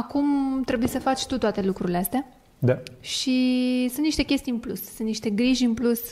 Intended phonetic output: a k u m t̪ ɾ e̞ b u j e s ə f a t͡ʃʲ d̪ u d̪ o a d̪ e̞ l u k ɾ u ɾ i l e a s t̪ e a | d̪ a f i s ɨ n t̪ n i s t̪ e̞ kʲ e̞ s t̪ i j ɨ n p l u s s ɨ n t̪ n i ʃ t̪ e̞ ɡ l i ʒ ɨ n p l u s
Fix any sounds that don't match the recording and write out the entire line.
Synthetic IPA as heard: a k u m t̪ ɾ e̞ b u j e s ə f a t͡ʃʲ t̪ u t̪ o a t̪ e̞ l u k ɾ u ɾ i l e a s t̪ e a | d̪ a ʃ i s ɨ n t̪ n i ʃ t̪ e̞ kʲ e̞ s t̪ i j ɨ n p l u s s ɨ n t̪ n i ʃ t̪ e̞ ɡ ɾ i ʒ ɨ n p l u s